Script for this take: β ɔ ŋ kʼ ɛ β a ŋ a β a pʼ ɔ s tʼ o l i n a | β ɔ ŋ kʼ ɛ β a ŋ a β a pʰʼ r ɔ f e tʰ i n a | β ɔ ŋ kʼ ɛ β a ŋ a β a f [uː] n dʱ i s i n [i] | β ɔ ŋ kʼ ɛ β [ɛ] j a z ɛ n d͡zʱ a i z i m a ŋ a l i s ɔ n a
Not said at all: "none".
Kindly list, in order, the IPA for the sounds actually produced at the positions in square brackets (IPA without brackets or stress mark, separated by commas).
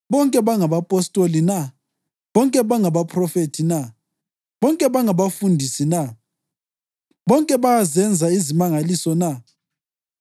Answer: u, a, a